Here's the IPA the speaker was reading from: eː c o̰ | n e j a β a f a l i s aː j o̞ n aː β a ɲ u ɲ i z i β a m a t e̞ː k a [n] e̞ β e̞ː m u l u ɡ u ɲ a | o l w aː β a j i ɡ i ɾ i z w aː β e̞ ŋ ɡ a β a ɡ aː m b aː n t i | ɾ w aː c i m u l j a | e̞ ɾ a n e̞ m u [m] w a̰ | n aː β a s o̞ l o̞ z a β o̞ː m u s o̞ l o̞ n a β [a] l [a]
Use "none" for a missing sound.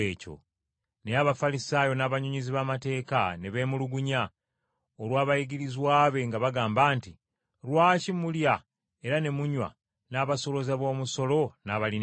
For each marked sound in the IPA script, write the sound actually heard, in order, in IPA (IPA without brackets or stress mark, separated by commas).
n, ɲ, a, i